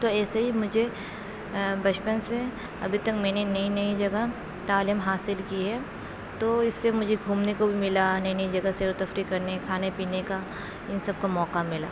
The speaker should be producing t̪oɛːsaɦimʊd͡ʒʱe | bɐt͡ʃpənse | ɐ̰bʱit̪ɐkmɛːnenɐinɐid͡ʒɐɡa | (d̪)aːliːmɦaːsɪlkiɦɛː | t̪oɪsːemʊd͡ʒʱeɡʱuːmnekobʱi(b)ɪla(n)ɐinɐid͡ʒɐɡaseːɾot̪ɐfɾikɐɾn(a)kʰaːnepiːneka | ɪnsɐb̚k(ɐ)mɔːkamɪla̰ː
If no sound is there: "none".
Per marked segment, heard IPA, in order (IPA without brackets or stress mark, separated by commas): t̪, m, n, e, a